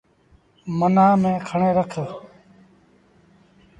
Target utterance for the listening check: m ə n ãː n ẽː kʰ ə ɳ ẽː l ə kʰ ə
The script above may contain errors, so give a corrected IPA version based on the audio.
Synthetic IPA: m ə n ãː m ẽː kʰ ə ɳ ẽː ɾ ə kʰ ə